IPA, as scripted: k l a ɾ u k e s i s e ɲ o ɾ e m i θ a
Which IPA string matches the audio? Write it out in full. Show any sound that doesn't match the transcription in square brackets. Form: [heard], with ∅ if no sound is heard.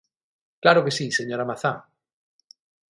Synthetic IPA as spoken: k l a ɾ [o] k e s i s e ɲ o ɾ [a] m [a] θ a